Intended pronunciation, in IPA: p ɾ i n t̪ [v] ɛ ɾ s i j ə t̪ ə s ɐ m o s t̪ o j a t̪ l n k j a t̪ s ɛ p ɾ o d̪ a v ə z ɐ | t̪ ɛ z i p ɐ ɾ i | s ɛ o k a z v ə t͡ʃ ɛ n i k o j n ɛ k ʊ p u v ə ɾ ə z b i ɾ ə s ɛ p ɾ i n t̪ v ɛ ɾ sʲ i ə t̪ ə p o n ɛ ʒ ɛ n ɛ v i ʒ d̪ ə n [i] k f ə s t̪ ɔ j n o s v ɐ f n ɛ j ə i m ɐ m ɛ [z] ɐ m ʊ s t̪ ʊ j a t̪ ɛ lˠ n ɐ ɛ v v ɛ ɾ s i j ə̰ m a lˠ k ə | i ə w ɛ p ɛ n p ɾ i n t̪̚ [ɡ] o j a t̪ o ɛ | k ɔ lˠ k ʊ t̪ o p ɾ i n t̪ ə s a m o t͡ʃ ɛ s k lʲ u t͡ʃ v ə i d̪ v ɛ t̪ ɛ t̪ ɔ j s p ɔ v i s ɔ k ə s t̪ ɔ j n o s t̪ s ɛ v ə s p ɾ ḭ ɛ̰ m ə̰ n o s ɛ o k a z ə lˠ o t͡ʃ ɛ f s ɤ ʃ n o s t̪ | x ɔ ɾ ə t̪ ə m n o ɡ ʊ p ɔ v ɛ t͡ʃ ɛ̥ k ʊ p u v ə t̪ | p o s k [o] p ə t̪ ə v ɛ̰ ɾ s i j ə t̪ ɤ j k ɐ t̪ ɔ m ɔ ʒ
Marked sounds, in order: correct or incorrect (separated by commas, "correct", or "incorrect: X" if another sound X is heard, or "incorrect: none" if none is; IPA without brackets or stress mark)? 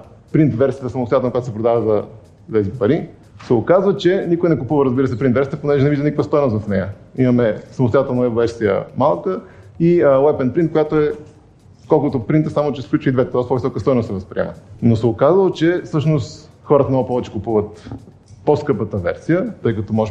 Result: correct, correct, incorrect: s, incorrect: k, incorrect: ɤ